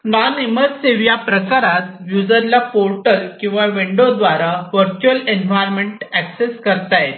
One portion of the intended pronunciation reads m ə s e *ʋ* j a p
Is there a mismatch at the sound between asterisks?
no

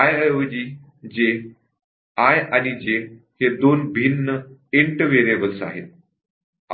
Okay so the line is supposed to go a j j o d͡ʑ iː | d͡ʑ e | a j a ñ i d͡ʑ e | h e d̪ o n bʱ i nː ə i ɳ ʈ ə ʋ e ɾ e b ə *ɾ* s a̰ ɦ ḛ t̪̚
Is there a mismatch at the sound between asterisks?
yes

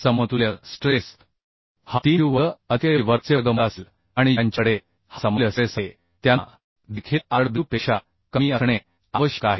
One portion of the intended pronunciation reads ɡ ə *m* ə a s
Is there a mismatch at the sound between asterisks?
no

